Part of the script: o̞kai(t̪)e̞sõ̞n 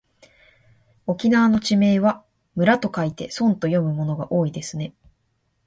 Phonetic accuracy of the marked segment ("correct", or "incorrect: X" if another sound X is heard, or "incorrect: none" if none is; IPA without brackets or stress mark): correct